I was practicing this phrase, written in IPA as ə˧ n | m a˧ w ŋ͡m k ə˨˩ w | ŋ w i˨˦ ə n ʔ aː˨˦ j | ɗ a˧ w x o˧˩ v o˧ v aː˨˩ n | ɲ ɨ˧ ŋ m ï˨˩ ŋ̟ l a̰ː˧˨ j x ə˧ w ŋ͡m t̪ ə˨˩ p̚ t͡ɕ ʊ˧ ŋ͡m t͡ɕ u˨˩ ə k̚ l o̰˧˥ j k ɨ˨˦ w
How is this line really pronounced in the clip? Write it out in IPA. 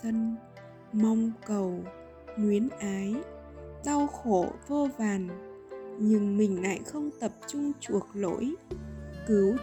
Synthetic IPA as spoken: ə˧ n | m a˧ w ŋ͡m k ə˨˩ w | ŋ w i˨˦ ə n ʔ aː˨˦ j | ɗ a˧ w x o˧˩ v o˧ v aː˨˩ n | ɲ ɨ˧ ŋ m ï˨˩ ŋ̟ l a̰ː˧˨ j x ə˧ w ŋ͡m t̪ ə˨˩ p̚ t͡ɕ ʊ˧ ŋ͡m t͡ɕ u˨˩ ə k̚ l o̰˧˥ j k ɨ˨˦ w